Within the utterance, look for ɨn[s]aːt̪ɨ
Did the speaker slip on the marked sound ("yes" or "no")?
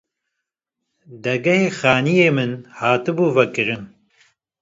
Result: yes